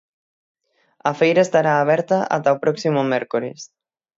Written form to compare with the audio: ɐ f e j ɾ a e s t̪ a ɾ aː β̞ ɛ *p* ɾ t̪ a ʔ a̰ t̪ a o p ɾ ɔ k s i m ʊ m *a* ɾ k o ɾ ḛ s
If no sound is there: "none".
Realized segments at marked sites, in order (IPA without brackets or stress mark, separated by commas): none, ɛ